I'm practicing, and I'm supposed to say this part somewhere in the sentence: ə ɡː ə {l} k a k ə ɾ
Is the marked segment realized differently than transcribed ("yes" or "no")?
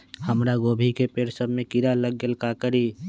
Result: no